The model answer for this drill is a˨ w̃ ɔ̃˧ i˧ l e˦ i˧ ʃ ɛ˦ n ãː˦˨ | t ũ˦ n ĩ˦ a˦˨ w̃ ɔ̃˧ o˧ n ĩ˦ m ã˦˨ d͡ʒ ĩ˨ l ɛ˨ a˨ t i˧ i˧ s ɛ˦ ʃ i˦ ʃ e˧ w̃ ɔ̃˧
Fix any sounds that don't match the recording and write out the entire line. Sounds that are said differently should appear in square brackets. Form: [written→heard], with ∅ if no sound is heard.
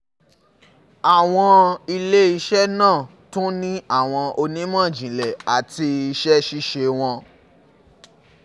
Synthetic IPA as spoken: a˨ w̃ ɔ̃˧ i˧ l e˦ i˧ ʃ ɛ˦ n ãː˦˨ | t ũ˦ n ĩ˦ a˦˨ w̃ ɔ̃˧ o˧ n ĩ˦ m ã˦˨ d͡ʒ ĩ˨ l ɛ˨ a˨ t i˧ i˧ [s→ʃ] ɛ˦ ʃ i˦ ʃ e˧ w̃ ɔ̃˧